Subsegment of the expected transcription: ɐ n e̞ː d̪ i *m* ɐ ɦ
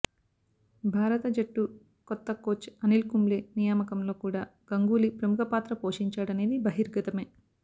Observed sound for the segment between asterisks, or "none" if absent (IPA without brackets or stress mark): b